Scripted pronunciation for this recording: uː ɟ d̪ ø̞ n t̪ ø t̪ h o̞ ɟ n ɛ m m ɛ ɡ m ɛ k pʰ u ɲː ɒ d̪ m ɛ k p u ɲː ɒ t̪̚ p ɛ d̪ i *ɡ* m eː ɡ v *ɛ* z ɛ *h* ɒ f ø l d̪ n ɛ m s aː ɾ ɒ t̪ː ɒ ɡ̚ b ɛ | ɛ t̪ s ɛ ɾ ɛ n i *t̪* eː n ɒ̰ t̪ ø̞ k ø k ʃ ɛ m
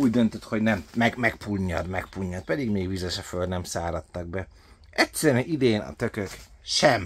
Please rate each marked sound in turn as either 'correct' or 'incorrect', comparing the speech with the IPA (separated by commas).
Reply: correct, incorrect, incorrect, incorrect